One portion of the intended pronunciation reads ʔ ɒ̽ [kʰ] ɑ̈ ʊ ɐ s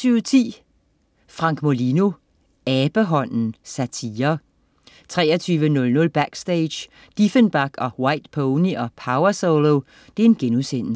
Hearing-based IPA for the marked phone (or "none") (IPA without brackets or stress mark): pʰ